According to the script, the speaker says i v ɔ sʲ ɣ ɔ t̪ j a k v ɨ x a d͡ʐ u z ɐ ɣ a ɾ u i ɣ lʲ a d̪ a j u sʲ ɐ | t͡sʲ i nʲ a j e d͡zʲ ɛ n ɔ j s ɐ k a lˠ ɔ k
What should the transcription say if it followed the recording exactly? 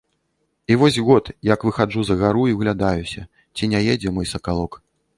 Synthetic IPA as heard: i v ɔ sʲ ɣ ɔ t̪ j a k v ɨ x a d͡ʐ u z ɐ ɣ a ɾ u i ɣ lʲ a d̪ a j u sʲ ɐ | t͡sʲ i nʲ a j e d͡zʲ ɛ m ɔ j s ɐ k a lˠ ɔ k